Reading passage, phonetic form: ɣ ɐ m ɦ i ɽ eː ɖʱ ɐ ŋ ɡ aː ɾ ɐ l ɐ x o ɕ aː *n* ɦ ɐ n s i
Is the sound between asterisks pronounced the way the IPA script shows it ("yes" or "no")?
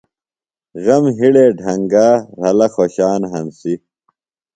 yes